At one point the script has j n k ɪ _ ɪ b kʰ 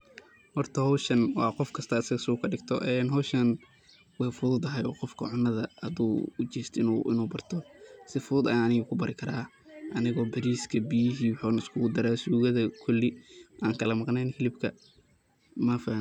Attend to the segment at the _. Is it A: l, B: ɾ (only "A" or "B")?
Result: A